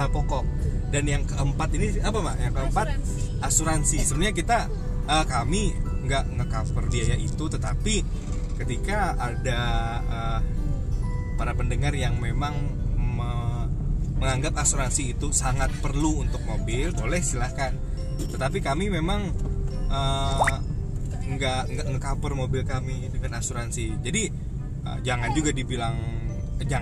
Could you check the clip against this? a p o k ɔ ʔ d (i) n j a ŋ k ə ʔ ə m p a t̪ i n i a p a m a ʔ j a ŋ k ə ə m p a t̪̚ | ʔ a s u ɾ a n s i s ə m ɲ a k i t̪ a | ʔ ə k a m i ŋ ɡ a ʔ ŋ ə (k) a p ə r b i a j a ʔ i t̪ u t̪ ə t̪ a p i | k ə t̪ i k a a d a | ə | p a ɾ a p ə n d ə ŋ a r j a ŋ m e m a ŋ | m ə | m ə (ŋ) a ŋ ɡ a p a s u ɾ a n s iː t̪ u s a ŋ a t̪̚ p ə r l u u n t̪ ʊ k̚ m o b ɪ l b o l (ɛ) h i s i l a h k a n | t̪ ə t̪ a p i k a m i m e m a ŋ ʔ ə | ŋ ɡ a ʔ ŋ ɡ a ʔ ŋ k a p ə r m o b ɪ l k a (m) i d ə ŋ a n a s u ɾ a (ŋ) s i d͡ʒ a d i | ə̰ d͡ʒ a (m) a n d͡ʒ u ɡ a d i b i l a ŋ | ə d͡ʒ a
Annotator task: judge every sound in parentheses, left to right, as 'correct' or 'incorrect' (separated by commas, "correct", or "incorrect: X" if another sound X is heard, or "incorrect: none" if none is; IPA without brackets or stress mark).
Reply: incorrect: a, correct, correct, correct, correct, incorrect: n, incorrect: ŋ